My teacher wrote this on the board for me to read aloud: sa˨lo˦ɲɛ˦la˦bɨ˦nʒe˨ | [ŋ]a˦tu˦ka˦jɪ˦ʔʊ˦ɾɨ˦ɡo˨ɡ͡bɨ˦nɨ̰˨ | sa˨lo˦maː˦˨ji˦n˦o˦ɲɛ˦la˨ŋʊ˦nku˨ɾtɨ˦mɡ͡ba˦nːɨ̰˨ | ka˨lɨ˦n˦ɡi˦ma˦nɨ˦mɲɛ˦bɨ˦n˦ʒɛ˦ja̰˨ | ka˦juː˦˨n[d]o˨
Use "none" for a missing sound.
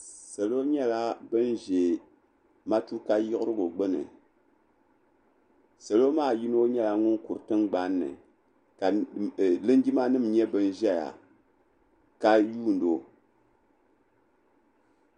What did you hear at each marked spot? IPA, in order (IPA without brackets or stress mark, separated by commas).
m, d